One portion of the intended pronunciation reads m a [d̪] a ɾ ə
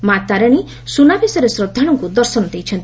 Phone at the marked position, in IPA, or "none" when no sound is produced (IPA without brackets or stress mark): t̪